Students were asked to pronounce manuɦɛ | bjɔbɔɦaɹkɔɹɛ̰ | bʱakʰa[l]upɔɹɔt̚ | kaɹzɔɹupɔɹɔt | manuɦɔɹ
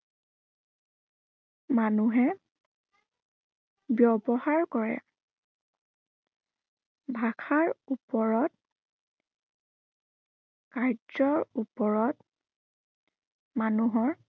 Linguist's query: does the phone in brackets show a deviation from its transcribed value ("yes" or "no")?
yes